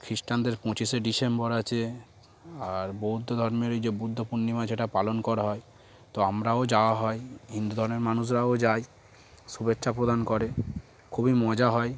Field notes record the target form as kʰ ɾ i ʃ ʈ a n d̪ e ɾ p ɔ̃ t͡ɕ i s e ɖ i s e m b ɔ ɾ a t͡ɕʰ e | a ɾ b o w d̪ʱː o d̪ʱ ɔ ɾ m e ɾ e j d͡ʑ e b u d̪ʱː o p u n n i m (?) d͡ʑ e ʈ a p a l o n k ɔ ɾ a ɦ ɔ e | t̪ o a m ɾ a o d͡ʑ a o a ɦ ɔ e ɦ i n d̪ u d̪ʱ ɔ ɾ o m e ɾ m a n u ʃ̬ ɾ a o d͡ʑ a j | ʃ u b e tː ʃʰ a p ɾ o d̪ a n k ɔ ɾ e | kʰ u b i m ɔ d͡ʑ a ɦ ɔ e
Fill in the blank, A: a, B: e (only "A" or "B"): A